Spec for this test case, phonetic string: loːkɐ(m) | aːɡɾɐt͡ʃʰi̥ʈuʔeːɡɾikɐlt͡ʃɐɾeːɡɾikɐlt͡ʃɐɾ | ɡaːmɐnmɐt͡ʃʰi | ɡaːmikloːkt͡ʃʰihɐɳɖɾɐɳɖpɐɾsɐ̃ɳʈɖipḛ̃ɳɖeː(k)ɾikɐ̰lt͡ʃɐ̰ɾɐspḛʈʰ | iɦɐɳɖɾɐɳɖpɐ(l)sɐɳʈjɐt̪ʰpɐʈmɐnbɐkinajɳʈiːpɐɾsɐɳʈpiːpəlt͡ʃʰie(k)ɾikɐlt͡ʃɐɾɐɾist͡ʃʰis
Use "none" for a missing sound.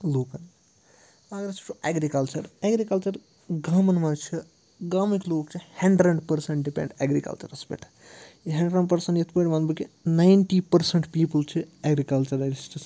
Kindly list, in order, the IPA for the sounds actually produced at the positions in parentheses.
n, ɡ, ɾ, ɡ

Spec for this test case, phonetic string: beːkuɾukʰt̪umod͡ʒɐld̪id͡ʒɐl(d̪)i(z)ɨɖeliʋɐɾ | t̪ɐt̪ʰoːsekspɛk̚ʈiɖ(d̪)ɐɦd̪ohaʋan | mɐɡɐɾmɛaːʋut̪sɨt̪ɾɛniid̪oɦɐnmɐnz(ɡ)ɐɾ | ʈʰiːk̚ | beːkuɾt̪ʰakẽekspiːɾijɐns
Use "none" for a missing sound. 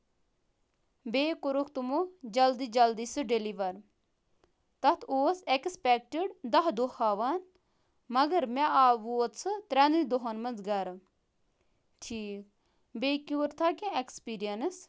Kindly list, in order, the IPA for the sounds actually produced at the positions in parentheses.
d̪, s, d̪, ɡ

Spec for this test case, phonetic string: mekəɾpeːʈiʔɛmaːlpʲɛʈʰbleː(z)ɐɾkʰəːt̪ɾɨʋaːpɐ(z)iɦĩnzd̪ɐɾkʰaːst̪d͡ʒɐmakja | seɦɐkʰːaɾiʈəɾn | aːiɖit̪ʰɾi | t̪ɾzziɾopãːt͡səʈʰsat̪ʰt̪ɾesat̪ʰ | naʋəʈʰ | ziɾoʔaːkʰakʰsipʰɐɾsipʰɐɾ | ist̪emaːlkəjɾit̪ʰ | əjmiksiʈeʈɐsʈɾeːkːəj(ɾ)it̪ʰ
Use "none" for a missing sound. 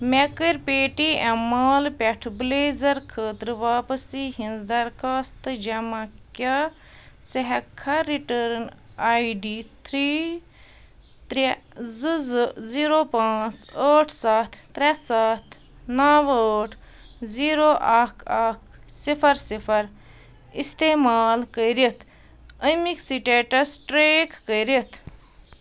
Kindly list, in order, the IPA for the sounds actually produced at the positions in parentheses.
z, s, ɾ

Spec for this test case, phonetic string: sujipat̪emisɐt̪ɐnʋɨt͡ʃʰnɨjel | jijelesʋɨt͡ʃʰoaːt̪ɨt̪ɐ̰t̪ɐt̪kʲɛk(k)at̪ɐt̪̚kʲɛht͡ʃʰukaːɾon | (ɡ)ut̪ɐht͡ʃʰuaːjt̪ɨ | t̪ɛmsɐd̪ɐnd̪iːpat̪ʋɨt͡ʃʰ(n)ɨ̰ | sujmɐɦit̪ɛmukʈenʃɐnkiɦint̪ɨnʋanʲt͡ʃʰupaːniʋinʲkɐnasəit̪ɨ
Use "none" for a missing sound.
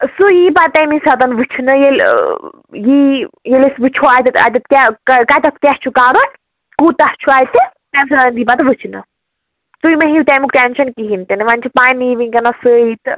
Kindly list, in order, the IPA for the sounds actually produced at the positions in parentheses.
k, k, n

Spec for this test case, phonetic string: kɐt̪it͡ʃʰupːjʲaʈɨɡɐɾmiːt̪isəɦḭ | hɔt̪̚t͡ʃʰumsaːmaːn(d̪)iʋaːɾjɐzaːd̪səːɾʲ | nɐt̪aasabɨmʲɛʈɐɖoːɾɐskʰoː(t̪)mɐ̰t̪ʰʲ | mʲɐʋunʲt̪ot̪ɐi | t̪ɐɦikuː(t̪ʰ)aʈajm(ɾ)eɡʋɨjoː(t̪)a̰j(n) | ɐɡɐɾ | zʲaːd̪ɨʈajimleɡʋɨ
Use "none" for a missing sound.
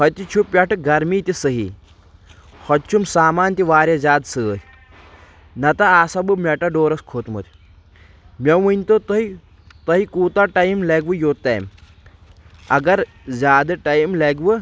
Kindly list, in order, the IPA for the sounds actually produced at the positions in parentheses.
t̪, t̪, t̪, l, t̪, m

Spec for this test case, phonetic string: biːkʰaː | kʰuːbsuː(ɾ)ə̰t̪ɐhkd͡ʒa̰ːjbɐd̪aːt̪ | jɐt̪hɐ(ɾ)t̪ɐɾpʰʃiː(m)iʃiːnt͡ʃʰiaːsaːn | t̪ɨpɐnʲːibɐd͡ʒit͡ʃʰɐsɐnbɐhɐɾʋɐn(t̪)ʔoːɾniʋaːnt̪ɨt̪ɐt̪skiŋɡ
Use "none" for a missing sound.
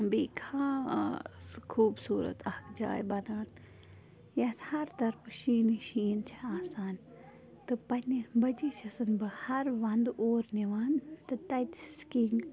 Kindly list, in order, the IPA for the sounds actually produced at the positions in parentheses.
ɾ, ɾ, n, d̪

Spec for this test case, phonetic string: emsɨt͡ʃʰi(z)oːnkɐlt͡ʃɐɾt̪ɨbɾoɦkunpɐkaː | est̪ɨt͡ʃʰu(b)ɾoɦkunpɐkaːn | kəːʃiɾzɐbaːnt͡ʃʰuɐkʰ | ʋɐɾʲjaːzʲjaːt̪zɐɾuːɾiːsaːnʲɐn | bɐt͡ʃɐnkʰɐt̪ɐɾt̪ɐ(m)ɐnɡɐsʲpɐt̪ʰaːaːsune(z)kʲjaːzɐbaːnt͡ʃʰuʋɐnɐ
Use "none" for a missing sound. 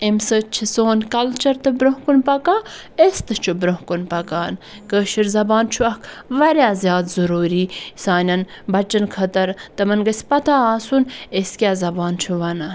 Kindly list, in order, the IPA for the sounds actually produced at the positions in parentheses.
s, b, m, s

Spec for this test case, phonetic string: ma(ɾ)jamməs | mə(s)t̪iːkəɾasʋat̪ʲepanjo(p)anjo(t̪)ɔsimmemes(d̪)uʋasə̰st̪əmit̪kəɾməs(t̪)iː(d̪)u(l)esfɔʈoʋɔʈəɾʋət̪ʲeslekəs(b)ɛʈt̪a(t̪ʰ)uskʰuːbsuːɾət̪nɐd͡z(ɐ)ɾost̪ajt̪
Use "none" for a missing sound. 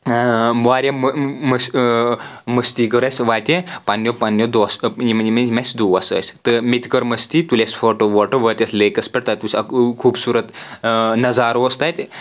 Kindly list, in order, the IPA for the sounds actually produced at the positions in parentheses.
ɾ, s, p, d̪, d̪, t̪, t̪, l, p, t̪, a

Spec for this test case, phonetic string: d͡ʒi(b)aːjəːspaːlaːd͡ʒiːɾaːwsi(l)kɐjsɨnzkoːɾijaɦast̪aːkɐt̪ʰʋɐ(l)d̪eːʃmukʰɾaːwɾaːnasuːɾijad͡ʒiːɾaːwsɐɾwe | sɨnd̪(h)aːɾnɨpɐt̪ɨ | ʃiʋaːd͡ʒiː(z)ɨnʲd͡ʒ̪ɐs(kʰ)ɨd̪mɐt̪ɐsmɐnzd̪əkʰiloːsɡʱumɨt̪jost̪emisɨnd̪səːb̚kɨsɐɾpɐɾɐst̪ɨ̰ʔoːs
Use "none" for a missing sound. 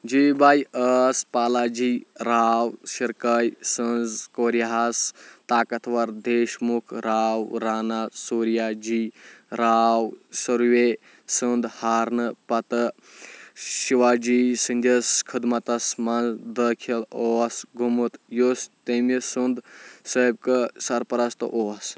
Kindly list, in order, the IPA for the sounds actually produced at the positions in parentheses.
b, ɾ, ɾ, h, s, kʰ

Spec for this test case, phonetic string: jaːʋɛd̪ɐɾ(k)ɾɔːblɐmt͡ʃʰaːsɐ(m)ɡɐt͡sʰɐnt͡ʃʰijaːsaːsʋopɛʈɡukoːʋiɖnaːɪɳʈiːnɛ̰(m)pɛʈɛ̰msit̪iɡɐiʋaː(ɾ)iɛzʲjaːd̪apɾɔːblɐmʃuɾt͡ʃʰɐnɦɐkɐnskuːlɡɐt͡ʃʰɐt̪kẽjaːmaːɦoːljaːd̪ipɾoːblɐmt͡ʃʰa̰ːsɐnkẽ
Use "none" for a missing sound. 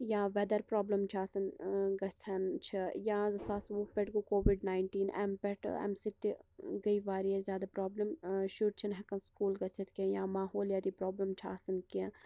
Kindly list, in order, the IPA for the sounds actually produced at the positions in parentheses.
p, n, m, ɾ

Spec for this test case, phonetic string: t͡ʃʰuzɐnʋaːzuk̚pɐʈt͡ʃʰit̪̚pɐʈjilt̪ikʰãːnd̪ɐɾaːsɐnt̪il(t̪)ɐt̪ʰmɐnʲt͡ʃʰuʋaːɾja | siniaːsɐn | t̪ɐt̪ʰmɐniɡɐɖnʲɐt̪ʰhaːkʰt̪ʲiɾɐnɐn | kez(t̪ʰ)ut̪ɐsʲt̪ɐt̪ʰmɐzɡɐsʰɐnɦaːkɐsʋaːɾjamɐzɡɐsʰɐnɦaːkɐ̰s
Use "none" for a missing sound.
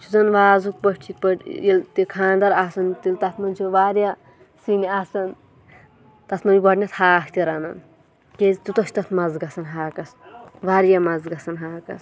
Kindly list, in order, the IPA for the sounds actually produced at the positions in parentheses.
t̪, t̪

